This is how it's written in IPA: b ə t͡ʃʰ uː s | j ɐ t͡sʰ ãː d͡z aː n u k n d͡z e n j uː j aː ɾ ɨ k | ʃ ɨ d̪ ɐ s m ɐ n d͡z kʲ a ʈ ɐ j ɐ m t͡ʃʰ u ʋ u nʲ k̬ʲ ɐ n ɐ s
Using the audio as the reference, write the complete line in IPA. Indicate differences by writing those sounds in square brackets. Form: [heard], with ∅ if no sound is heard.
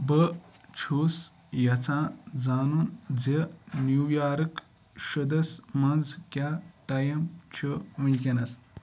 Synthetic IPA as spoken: b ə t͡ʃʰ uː s | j ɐ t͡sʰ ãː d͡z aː n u [∅] n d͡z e n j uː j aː ɾ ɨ k | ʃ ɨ d̪ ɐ s m ɐ n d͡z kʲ a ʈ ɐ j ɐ m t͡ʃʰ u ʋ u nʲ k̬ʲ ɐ n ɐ s